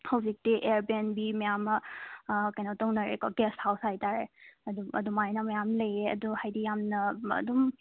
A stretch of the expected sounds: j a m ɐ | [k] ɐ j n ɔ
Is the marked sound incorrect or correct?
correct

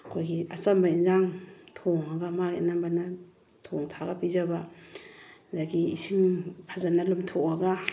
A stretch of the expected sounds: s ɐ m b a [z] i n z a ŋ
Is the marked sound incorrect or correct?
incorrect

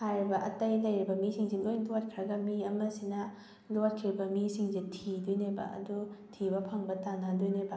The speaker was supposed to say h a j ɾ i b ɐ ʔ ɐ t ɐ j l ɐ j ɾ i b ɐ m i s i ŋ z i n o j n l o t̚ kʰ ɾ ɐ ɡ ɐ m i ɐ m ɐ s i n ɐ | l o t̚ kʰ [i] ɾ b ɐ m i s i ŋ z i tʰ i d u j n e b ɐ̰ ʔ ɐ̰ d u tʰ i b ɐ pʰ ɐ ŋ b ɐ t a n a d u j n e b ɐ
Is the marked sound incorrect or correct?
correct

